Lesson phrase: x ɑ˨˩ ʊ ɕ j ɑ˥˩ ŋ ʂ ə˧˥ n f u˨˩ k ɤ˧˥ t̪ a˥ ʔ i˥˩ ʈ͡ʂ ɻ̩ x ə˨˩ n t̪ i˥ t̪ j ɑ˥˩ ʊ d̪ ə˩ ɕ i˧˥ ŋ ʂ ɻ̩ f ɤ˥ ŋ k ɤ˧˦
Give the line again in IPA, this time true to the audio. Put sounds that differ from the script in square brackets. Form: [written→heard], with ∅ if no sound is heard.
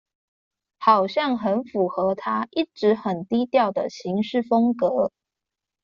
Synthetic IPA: x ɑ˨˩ ʊ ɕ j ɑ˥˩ ŋ [ʂ→x] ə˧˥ n f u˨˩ [k→x] ɤ˧˥ [t̪→t̪ʰ] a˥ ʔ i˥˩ ʈ͡ʂ ɻ̩ x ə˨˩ n t̪ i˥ t̪ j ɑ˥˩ ʊ d̪ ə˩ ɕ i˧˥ ŋ ʂ ɻ̩ f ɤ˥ ŋ k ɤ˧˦